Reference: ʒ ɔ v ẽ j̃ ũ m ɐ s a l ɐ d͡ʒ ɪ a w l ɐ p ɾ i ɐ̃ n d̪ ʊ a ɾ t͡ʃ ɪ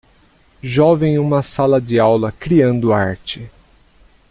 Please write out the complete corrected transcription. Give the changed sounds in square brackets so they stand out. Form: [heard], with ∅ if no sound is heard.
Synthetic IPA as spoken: ʒ ɔ v ẽ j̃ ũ m ɐ s a l ɐ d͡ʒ ɪ a w l ɐ [k] ɾ i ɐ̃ n d̪ ʊ a ɾ t͡ʃ ɪ